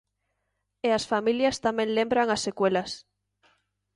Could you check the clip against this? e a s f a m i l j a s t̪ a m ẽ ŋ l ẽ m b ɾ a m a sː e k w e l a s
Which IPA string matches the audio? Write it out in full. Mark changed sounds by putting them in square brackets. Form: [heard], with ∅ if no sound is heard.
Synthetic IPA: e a s f a m i l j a s t̪ a m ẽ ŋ l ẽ m b ɾ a [ŋ] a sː e k w e l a s